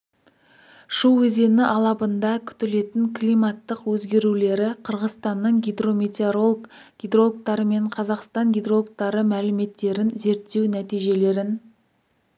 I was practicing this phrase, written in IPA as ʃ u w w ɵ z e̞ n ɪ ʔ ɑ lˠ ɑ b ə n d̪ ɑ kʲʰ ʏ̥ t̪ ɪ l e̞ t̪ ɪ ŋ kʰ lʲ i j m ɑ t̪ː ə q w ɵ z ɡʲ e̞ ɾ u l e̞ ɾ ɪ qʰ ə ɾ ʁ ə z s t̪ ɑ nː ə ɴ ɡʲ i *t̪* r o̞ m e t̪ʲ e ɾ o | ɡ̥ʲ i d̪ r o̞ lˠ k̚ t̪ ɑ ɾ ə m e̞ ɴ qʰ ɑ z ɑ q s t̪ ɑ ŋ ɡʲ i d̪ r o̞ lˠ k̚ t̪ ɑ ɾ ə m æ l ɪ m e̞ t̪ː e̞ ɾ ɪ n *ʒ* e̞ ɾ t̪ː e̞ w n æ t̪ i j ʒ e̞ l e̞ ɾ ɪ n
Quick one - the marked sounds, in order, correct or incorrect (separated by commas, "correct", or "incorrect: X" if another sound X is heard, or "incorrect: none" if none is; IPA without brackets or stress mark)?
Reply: incorrect: d̪, incorrect: z